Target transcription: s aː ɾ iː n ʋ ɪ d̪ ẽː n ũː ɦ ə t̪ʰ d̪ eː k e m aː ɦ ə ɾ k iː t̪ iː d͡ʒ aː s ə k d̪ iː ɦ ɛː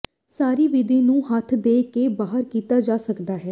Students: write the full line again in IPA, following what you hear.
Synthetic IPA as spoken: s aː ɾ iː ʋ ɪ d̪ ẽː n ũː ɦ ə t̪ʰ d̪ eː k e b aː ɦ ə ɾ k iː t̪ aː d͡ʒ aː s ə k d̪ aː ɦ ɛː